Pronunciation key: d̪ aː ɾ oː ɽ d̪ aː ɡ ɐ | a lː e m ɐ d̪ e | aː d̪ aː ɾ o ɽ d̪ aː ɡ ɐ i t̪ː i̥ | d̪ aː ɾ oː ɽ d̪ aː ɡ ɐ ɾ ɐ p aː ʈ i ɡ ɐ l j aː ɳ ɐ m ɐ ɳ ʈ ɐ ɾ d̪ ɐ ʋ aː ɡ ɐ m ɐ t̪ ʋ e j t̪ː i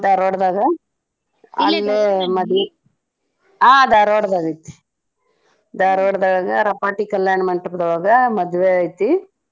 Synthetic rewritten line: d̪ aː ɾ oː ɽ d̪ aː ɡ ɐ | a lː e m ɐ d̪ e | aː d̪ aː ɾ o ɽ d̪ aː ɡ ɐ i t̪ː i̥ | d̪ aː ɾ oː ɽ d̪ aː ɡ ɐ ɾ ɐ p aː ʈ i k ɐ l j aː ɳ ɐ m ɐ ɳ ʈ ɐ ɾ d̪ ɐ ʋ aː ɡ ɐ m ɐ d̪ ʋ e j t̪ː i